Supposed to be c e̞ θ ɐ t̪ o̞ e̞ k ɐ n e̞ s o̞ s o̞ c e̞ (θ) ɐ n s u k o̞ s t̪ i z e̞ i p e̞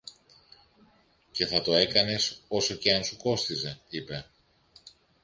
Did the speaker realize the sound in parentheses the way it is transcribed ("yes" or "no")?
no